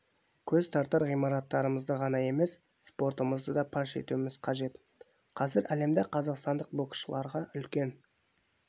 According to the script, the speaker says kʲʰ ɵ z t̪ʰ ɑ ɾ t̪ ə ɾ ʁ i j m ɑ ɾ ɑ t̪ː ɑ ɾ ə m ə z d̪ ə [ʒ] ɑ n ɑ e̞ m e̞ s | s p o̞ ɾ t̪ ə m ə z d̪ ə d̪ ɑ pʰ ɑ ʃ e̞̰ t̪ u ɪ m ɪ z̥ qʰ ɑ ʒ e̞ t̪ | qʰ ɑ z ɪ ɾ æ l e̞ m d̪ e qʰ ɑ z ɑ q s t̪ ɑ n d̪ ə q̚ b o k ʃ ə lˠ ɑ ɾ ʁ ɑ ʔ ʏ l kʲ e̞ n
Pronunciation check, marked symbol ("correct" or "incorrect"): incorrect